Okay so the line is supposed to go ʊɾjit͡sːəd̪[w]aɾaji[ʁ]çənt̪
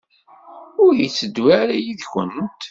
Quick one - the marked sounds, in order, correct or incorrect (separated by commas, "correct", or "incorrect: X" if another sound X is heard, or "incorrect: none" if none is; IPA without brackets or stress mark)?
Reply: correct, incorrect: ð